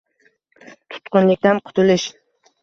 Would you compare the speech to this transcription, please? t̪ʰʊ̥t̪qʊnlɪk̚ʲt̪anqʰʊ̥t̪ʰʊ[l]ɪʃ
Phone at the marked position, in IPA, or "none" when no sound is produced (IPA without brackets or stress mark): l